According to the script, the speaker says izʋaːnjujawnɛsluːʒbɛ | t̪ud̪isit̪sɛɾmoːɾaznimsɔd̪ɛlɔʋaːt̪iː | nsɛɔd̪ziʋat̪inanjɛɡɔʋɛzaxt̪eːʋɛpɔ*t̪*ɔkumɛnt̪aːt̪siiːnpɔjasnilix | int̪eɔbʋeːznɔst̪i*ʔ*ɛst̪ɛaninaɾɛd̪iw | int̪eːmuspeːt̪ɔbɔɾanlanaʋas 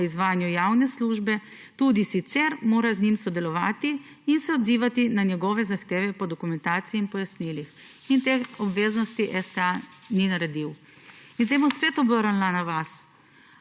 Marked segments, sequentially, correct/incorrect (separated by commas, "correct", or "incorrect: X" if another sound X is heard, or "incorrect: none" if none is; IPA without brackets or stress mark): incorrect: d̪, correct